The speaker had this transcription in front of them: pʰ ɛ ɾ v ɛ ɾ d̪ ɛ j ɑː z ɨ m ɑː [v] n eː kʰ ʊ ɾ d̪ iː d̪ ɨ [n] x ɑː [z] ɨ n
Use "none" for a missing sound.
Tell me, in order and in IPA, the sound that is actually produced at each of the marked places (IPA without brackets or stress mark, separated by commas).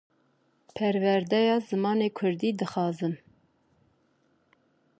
none, none, z